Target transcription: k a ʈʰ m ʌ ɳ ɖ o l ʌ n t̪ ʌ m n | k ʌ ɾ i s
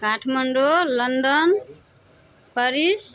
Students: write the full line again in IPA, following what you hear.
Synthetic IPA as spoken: k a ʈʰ m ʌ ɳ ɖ o l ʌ n d̪ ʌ n | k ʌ ɾ i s

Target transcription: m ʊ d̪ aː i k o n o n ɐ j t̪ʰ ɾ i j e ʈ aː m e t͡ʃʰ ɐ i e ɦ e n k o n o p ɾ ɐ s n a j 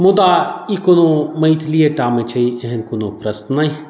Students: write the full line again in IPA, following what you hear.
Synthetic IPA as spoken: m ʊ d̪ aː i k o n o m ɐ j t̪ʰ l i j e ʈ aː m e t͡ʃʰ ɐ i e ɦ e n k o n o p ɾ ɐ s n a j

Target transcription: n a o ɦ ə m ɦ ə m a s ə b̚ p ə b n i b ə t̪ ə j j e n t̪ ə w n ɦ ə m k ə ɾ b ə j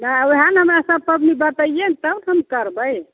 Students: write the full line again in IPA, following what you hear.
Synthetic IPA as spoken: n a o ɦ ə n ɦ ə m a s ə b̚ p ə b n i b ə t̪ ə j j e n t̪ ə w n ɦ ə m k ə ɾ b ə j

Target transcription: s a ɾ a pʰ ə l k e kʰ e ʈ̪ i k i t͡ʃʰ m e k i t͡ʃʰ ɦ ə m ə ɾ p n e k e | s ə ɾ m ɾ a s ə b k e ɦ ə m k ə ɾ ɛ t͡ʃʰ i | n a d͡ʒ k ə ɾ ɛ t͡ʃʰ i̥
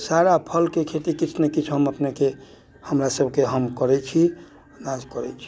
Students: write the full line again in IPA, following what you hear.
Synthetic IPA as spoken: s a ɾ a pʰ ə l k e kʰ e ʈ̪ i k i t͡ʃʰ n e k i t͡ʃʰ ɦ ə m ə p n e k e | h ə m ɾ a s ə b k e ɦ ə m k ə ɾ ɛ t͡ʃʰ i | n a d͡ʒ k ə ɾ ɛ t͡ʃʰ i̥

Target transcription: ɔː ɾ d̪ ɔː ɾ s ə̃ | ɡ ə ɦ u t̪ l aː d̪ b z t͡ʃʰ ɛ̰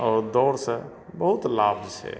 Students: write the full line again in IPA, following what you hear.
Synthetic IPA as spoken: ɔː ɾ d̪ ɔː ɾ s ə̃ | b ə ɦ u t̪ l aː b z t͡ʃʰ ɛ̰

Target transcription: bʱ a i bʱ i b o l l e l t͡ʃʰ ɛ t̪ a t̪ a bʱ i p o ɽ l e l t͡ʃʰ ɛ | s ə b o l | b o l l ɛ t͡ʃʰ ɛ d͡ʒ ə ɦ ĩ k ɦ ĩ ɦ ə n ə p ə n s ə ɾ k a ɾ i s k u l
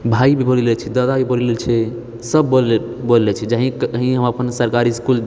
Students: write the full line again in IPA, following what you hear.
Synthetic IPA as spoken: bʱ a i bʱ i b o l l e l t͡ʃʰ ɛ d̪ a d̪ a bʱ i b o l l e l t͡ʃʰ ɛ | s ə b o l | b o l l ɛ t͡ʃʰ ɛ d͡ʒ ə ɦ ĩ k ɦ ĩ ɦ ə m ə p ə n s ə ɾ k a ɾ i s k u l

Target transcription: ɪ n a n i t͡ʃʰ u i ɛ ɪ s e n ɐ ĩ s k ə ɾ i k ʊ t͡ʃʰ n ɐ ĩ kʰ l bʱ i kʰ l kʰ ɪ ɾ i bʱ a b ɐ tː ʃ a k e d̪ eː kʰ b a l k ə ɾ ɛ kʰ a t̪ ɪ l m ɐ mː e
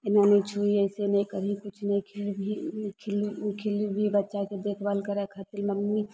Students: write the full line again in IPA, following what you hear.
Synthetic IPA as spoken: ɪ n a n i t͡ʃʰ u i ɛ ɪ s e n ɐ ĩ k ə ɾ i k ʊ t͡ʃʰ n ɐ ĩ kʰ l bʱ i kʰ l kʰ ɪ l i bʱ i b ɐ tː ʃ a k e d̪ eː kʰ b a l k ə ɾ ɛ kʰ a t̪ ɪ l m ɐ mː i

